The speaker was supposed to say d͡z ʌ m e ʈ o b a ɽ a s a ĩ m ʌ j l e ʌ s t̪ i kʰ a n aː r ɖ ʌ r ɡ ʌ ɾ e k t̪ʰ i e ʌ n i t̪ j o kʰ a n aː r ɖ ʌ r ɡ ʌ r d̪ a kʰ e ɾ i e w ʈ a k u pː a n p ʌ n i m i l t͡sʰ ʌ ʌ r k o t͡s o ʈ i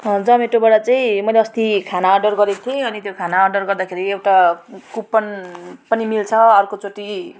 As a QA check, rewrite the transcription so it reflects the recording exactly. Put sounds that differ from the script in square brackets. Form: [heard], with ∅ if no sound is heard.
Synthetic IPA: d͡z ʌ m e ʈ o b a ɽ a [t͡s] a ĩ m ʌ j l e ʌ s t̪ i kʰ a n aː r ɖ ʌ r ɡ ʌ ɾ e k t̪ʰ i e ʌ n i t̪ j o kʰ a n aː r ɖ ʌ r ɡ ʌ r d̪ a kʰ e ɾ i e w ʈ a k u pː [ʌ] n p ʌ n i m i l t͡sʰ ʌ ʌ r k o t͡s o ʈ i